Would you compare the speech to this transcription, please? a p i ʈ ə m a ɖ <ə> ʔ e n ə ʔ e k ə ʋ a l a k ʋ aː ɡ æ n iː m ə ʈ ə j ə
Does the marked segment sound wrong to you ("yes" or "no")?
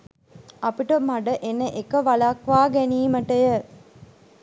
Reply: no